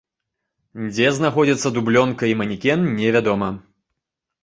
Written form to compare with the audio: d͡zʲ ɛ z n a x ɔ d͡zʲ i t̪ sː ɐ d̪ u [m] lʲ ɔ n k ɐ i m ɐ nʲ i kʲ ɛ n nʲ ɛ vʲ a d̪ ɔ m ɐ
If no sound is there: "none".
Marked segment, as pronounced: b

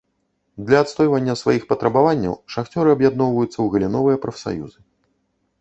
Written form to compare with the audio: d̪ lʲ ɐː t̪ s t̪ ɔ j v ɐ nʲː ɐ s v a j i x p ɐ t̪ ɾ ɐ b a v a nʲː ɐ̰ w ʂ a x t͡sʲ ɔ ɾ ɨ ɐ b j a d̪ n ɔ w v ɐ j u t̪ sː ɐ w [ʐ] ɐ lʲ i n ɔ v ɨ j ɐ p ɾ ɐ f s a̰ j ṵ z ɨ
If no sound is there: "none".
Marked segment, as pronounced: ɣ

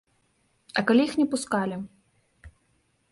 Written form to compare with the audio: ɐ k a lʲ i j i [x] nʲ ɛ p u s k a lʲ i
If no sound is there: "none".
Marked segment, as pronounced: x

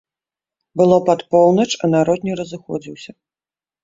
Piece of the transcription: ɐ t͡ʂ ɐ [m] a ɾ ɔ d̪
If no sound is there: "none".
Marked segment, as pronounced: n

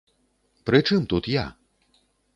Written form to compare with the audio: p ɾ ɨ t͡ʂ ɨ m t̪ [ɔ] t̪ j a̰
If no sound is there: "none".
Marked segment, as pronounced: u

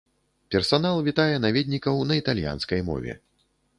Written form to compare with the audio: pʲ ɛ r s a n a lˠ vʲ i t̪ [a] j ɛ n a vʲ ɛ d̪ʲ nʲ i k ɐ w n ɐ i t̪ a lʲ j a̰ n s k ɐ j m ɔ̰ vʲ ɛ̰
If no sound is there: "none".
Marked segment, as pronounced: a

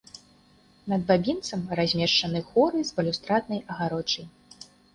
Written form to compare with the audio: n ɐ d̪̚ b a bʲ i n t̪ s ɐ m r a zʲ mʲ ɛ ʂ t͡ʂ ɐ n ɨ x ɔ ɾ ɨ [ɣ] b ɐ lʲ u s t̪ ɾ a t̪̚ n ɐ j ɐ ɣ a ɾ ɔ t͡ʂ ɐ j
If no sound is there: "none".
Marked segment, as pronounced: z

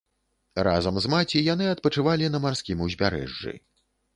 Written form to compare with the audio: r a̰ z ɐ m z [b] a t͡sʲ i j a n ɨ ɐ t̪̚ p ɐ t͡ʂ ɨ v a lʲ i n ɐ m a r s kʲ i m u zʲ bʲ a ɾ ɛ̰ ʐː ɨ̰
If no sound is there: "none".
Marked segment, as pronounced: m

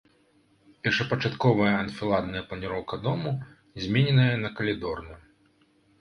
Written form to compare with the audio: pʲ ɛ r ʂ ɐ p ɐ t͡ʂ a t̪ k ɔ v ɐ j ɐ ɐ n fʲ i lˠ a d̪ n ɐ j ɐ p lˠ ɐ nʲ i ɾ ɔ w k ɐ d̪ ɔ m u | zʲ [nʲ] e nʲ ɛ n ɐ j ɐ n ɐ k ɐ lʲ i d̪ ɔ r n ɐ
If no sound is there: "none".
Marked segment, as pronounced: mʲ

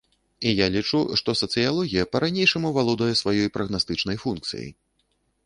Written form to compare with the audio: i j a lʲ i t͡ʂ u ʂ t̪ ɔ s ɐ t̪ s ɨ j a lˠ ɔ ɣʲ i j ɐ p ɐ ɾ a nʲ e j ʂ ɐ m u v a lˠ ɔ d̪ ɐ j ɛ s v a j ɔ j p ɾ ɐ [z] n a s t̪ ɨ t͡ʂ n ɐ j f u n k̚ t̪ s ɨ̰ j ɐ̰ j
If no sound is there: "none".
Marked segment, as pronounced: ɣ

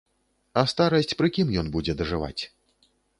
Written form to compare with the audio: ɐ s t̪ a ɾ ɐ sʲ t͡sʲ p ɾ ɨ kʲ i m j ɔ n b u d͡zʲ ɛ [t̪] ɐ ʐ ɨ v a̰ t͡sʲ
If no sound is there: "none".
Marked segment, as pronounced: d̪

